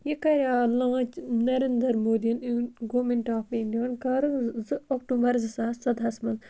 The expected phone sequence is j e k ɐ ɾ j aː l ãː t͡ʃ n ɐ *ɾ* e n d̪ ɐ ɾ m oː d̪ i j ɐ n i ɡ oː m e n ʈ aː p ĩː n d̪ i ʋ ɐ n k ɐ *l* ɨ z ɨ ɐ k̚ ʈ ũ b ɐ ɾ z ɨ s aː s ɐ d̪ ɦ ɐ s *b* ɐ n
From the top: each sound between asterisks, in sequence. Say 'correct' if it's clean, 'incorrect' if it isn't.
correct, incorrect, incorrect

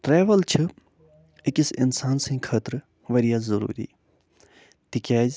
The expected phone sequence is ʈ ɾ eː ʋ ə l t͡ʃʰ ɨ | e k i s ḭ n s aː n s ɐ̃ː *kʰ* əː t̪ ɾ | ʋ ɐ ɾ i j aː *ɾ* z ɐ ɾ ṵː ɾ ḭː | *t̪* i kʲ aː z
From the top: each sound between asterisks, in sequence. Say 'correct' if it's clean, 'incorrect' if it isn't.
correct, incorrect, correct

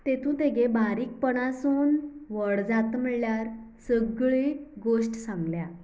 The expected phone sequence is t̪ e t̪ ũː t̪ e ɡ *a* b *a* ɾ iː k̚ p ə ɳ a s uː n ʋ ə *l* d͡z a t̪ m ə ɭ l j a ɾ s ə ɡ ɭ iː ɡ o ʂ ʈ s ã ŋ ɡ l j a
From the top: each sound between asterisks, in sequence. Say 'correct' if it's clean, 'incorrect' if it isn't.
incorrect, correct, incorrect

